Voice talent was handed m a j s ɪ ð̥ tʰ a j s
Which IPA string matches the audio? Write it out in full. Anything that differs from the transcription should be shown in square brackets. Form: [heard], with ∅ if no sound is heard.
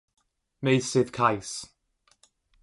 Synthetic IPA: m [e] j s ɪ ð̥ [kʰ] a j s